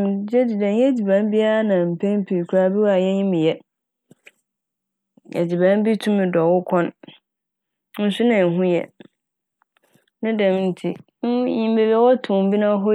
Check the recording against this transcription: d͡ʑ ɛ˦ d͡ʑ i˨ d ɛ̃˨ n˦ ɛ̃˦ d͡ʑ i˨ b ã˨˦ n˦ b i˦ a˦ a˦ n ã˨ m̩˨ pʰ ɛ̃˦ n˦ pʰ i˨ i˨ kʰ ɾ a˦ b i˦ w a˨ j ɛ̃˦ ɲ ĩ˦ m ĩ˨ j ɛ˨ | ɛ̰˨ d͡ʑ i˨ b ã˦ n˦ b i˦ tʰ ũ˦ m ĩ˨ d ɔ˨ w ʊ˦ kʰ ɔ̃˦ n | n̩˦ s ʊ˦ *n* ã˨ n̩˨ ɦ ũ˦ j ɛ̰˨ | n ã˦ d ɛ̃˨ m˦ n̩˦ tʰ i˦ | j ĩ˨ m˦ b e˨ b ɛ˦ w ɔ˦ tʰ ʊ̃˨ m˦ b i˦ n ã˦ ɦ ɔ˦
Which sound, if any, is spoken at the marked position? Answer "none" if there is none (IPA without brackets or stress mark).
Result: n